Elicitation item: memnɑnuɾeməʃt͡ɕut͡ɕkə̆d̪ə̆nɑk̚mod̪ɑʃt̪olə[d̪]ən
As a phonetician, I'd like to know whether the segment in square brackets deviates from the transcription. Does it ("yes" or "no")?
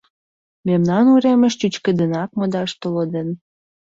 no